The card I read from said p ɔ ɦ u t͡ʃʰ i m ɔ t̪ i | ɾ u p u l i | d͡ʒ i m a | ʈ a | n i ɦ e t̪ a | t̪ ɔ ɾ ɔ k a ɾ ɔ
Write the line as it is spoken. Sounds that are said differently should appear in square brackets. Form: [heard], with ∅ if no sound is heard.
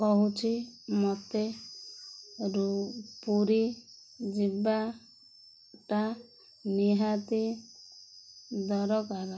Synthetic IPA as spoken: [k] ɔ ɦ u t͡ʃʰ i m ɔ t̪ [e] | ɾ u p u [ɾ] i | d͡ʒ i [b] a | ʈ a | n i ɦ [a] t̪ [i] | [d̪] ɔ ɾ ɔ k a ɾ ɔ